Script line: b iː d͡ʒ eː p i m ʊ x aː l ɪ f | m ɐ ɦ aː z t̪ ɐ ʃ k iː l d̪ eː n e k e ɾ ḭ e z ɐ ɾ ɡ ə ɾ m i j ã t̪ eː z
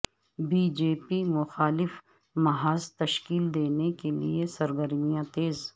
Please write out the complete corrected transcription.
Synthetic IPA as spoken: b iː d͡ʒ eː p i m ʊ x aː l ɪ f | m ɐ ɦ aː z t̪ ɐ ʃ k iː l d̪ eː n e k e l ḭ e s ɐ ɾ ɡ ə ɾ m i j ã t̪ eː z